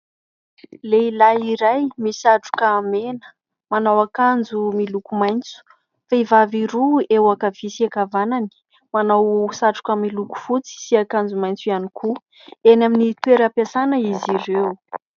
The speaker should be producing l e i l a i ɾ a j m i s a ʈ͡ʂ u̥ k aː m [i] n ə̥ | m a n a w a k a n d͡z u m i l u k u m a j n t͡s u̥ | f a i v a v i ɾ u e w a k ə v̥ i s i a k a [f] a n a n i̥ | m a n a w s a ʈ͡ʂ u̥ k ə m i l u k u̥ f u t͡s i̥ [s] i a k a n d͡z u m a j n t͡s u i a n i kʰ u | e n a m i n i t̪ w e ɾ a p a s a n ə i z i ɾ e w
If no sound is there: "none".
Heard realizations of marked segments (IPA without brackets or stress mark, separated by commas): e, v, s